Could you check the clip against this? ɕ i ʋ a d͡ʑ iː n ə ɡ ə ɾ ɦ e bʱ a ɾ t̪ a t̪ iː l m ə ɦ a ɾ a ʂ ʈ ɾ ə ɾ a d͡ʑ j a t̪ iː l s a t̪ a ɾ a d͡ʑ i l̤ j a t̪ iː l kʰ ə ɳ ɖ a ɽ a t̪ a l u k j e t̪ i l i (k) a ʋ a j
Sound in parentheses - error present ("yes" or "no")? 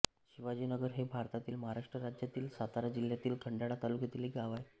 yes